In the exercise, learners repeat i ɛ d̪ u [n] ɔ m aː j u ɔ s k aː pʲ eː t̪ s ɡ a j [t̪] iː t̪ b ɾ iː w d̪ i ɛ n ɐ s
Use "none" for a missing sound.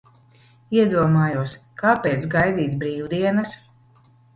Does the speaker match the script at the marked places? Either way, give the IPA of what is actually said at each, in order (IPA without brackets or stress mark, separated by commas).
none, d̪